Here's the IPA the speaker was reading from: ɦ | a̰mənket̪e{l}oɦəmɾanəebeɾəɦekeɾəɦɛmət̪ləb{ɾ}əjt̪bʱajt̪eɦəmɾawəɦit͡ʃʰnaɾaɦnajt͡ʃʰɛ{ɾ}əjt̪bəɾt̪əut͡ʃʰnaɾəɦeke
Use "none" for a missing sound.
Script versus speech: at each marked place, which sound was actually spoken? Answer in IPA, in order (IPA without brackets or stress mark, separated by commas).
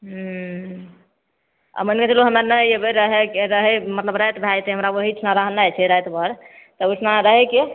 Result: l, ɾ, ɾ